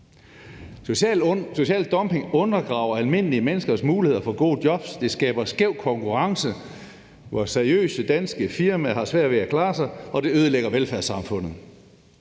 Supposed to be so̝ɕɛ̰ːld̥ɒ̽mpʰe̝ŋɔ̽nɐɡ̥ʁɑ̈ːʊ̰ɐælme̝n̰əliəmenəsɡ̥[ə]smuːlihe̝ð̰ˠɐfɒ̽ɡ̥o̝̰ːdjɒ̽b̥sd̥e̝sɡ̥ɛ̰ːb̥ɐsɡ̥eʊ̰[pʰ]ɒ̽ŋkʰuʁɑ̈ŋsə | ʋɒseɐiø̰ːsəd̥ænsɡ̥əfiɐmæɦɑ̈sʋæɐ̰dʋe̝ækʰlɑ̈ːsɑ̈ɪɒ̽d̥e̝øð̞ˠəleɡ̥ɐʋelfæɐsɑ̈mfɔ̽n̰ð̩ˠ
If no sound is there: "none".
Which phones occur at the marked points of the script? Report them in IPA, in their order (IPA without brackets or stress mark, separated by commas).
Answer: ɐ, kʰ